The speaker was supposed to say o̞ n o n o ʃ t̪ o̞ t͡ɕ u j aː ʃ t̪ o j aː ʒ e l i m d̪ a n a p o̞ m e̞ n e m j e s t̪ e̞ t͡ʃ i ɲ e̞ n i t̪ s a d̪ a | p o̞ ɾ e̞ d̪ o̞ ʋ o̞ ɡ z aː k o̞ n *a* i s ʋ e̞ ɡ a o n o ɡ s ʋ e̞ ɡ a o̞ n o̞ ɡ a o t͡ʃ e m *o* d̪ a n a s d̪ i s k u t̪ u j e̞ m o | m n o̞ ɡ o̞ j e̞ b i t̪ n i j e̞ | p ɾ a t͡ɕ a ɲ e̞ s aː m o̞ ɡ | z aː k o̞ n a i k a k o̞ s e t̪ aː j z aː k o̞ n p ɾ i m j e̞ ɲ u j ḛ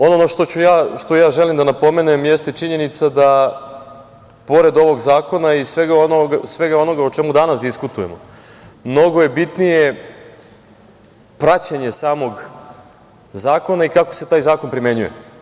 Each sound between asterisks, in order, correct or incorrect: correct, incorrect

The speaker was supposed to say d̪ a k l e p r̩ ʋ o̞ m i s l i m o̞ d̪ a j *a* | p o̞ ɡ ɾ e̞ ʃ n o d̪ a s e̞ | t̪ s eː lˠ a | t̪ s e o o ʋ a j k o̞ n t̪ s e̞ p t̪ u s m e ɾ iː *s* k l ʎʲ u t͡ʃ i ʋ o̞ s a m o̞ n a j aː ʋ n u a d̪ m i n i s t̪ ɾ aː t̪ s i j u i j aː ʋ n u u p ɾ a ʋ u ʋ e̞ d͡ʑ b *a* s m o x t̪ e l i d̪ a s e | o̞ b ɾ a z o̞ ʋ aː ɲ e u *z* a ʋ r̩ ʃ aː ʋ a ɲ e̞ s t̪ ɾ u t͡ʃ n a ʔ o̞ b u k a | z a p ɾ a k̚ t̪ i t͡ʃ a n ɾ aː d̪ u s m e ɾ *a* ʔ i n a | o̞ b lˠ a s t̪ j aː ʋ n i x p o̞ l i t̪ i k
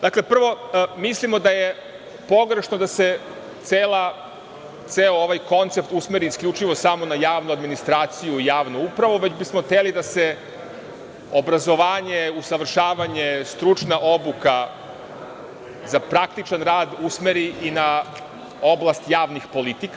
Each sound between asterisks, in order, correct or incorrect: incorrect, correct, incorrect, incorrect, incorrect

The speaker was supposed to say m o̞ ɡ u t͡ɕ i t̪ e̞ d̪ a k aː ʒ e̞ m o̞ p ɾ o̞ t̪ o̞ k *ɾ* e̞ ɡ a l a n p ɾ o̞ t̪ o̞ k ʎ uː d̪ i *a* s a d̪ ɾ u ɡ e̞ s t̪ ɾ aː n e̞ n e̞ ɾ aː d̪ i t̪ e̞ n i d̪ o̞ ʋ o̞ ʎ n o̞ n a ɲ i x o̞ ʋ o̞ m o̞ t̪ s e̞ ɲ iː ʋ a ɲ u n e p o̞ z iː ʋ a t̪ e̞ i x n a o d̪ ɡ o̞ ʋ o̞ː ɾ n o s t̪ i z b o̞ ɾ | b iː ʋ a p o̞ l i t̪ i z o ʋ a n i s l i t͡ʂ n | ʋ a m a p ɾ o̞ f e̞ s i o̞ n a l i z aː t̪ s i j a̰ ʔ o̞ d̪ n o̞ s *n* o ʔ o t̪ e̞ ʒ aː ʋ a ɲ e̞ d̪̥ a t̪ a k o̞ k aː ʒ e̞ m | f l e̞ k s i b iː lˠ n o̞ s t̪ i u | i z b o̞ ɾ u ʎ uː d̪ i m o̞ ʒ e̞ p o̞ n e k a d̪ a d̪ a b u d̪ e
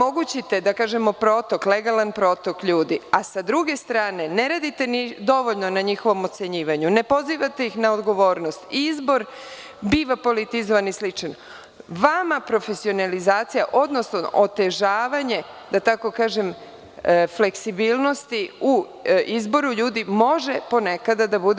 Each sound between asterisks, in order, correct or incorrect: incorrect, correct, correct

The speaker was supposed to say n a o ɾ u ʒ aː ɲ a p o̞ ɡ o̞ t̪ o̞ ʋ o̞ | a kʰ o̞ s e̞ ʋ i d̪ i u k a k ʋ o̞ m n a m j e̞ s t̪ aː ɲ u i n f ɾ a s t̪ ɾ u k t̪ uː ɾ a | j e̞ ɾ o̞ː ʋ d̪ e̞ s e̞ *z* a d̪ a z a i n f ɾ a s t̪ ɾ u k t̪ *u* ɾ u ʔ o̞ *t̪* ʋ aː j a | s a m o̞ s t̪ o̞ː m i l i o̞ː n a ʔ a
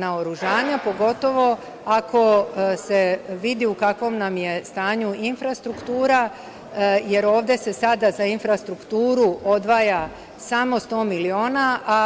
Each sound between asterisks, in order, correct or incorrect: incorrect, incorrect, incorrect

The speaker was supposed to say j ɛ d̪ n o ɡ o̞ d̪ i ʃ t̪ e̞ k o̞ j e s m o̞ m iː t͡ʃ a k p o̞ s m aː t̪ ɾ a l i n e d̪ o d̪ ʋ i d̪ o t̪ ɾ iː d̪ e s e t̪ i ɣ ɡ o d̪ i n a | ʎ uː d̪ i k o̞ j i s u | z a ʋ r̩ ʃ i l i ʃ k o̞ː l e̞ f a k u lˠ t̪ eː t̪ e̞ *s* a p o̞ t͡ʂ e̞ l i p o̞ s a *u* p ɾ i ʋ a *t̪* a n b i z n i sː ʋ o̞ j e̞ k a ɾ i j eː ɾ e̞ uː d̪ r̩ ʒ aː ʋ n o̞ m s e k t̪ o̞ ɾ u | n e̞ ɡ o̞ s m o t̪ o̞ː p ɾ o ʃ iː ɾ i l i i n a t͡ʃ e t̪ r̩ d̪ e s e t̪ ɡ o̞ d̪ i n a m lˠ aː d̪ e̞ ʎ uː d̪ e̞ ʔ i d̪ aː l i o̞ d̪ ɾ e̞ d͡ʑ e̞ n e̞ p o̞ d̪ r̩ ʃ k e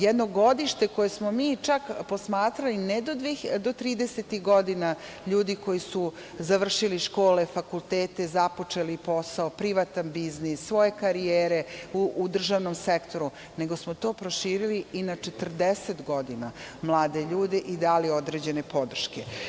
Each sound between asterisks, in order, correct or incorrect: incorrect, incorrect, correct

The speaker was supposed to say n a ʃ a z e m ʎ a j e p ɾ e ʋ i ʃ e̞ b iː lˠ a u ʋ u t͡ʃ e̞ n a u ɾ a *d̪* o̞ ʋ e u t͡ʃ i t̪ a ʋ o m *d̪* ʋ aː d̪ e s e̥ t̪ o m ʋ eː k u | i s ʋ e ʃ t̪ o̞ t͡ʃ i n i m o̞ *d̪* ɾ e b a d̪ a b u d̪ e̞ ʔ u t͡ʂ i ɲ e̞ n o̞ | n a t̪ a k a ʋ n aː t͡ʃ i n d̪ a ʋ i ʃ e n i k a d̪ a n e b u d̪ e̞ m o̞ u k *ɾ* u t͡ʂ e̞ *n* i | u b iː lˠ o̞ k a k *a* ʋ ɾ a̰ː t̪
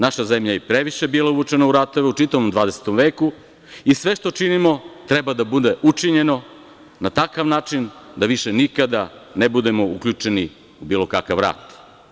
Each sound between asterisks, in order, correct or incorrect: incorrect, correct, incorrect, incorrect, correct, correct

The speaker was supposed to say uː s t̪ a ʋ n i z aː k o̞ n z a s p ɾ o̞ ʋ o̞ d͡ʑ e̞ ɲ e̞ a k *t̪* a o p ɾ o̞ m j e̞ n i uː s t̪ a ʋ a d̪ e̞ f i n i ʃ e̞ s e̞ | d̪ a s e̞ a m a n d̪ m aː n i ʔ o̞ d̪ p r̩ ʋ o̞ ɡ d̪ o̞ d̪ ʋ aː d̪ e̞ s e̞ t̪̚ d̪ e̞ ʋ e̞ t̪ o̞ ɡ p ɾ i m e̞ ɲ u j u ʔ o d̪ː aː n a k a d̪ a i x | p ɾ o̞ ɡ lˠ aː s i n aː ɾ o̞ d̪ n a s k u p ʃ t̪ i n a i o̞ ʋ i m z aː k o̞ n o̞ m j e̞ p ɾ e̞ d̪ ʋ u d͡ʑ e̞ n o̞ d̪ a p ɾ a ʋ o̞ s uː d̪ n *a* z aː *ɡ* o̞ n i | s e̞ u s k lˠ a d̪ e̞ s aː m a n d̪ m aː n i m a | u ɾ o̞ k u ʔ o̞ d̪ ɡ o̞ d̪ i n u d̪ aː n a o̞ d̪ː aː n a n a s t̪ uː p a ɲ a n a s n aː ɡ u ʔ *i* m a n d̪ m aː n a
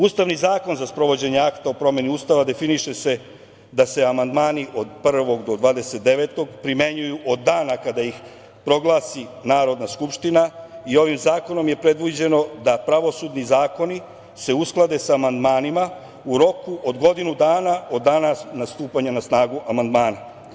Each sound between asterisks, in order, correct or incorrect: correct, incorrect, incorrect, incorrect

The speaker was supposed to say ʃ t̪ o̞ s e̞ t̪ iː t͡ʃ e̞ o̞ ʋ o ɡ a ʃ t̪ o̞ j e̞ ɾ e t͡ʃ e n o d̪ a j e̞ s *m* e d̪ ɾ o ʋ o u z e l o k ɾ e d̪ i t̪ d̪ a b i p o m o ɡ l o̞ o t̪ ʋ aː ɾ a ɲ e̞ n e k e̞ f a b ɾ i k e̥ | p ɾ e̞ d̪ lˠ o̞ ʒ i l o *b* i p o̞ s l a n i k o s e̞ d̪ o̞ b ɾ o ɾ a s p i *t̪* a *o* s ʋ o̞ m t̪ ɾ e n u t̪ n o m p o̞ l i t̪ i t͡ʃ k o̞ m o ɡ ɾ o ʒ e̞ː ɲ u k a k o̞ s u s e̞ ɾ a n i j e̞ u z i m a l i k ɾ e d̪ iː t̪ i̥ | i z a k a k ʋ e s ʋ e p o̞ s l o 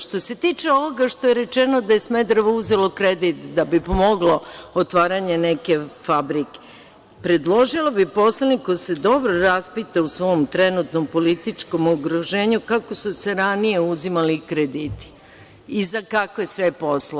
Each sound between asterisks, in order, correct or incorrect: correct, correct, correct, incorrect

